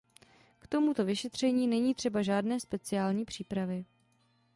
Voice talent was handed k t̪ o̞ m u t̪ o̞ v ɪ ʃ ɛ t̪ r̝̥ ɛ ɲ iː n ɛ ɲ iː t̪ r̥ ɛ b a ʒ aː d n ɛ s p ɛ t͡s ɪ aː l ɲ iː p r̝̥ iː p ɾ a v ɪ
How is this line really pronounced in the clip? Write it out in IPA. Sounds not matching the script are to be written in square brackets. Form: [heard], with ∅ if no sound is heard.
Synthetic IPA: k t̪ o̞ m u t̪ o̞ v ɪ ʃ ɛ t̪ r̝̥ ɛ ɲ iː n ɛ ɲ iː t̪ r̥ ɛ b a ʒ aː d n [ɛː] s p ɛ t͡s ɪ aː l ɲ iː p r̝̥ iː p ɾ a v ɪ